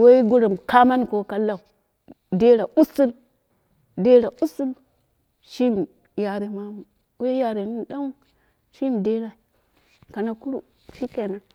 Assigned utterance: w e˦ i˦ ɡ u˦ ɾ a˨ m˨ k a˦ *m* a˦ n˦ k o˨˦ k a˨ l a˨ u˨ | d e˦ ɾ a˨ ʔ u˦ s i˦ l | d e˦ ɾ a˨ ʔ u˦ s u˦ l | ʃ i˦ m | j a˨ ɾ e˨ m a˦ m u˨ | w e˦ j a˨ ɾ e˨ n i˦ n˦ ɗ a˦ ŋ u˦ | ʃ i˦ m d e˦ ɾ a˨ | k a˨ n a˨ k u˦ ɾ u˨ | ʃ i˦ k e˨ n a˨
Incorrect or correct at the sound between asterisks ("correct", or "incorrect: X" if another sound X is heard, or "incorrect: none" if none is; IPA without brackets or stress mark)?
correct